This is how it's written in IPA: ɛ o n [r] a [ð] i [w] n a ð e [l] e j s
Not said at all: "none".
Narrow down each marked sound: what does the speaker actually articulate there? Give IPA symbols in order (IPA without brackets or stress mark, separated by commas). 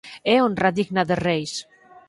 r, ð, ɣ, r